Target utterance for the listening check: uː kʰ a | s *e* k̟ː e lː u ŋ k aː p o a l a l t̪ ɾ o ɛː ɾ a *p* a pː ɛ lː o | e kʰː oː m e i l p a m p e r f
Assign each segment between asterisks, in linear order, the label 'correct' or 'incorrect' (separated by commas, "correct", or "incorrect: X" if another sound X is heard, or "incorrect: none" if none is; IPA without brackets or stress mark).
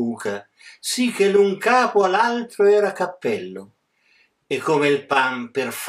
incorrect: i, incorrect: k